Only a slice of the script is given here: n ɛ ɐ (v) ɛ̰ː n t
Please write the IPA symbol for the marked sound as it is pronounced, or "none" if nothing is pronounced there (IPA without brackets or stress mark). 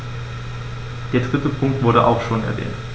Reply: v